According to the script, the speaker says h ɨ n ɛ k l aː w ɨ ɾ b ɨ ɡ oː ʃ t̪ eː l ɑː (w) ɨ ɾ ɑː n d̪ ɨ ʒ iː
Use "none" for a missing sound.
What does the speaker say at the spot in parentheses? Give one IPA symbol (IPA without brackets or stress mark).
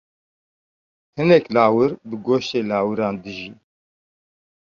w